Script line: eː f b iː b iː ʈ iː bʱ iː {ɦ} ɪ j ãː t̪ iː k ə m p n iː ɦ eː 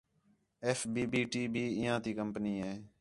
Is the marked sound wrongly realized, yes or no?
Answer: yes